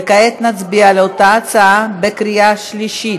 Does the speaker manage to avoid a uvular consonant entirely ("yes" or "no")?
yes